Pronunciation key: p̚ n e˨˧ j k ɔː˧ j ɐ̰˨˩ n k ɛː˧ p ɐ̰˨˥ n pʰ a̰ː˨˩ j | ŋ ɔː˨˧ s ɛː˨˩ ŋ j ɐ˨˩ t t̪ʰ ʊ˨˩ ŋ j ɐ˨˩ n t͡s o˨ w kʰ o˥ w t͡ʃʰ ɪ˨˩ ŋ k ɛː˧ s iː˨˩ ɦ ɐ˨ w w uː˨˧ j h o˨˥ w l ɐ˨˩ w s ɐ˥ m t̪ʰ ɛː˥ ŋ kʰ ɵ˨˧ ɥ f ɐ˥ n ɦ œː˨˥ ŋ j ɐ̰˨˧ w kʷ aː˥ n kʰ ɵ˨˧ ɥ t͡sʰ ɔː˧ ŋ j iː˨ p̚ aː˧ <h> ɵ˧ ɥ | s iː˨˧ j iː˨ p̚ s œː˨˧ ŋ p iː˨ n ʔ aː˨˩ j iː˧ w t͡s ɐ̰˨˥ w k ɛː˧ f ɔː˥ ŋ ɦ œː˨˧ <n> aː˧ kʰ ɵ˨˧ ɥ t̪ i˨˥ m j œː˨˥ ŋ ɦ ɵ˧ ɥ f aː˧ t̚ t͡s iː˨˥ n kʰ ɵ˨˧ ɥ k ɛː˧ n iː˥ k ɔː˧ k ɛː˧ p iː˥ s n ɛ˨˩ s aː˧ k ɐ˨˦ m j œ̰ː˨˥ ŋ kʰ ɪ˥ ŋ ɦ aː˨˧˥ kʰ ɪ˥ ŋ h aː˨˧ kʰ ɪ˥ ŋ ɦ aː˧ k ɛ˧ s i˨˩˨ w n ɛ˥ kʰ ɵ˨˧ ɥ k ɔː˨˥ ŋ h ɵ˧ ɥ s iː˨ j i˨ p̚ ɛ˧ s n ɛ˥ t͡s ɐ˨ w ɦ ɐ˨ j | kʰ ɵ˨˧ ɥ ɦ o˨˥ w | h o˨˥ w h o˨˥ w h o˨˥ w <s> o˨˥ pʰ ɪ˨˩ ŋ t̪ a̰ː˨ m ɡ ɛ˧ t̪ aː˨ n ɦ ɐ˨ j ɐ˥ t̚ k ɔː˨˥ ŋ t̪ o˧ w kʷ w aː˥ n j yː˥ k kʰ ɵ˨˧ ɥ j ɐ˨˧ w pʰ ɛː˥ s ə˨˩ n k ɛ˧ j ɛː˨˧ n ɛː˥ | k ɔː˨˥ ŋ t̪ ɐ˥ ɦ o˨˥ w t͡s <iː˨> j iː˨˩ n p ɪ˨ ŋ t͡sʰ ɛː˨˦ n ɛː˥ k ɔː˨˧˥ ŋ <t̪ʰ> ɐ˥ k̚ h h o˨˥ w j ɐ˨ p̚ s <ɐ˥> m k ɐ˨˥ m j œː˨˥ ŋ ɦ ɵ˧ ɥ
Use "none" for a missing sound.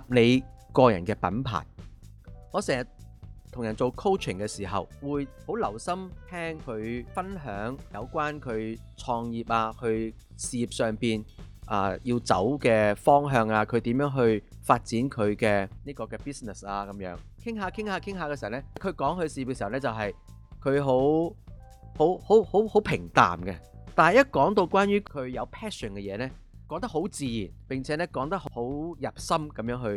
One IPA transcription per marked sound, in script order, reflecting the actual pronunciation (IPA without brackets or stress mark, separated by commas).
h, ŋ, h, iː˨, t̪, ɐ˥